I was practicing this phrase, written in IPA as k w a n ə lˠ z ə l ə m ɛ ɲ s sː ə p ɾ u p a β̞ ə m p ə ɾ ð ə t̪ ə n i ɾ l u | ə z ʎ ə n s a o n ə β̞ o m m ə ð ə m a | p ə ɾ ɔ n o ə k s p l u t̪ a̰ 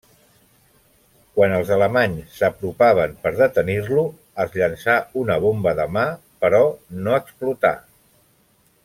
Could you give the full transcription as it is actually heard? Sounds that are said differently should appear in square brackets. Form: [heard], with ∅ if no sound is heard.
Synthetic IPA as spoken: k w a n ə lˠ z ə l ə m [a] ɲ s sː ə p ɾ u p a β̞ ə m p ə ɾ ð ə t̪ ə n i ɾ l u | ə z ʎ ə n s a [u] n ə β̞ o m [b] ə ð ə m a | p ə ɾ ɔ n o ə k s p l u t̪ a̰